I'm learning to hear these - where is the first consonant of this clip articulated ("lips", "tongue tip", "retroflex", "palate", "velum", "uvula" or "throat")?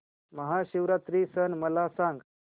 lips